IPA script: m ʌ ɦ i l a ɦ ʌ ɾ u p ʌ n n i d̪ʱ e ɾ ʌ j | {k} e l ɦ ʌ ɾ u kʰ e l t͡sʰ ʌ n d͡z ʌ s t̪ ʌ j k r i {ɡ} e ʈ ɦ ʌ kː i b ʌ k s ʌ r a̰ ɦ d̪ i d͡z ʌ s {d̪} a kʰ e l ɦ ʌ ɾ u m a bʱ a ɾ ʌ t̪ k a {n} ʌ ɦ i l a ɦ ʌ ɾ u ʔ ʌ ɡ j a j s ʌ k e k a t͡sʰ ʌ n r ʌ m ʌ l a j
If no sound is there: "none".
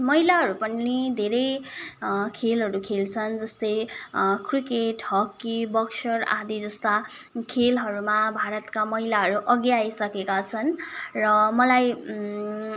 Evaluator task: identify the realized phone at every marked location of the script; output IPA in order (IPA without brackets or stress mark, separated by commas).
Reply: kʰ, k, t̪, m